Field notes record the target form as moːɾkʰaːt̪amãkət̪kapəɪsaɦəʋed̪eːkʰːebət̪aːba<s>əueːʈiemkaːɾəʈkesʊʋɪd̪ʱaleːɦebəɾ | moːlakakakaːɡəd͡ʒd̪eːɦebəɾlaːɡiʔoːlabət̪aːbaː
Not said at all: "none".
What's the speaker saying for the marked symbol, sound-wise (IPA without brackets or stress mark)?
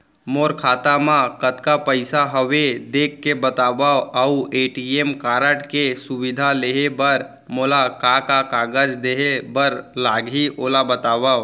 none